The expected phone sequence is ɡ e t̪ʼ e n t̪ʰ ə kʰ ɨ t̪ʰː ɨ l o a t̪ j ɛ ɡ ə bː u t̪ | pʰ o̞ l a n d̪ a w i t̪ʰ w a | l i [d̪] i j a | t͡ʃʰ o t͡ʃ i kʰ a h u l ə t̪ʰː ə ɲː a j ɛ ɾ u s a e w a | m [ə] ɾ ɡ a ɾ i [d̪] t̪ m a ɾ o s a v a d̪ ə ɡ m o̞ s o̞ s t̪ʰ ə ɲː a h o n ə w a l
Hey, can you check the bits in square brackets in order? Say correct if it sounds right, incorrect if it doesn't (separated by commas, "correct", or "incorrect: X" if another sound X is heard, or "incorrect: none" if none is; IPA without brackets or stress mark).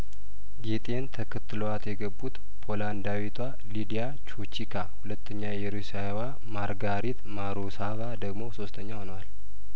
correct, incorrect: a, incorrect: none